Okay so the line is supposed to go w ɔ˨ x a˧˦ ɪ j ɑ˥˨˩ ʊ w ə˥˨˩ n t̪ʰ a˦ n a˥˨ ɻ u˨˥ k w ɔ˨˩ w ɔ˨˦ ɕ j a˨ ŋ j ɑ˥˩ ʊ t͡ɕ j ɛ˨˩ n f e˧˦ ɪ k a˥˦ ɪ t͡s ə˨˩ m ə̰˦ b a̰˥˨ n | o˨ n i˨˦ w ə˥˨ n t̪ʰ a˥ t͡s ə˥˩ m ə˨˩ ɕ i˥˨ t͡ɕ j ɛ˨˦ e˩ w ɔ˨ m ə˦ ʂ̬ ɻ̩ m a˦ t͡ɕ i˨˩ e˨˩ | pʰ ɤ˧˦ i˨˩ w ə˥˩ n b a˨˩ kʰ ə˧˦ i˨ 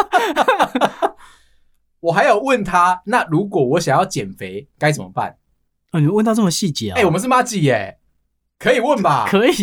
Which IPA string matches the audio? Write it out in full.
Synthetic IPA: w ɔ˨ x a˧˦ ɪ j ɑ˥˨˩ ʊ w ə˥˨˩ n t̪ʰ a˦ n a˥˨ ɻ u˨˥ k w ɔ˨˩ w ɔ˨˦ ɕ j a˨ ŋ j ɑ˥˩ ʊ t͡ɕ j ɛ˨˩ n f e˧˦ ɪ k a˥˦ ɪ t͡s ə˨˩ m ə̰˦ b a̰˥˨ n | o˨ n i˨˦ w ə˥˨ n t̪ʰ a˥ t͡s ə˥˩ m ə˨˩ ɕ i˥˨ t͡ɕ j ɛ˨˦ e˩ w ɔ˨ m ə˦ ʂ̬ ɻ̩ m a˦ t͡ɕ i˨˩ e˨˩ | kʰ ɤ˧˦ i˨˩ w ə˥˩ n b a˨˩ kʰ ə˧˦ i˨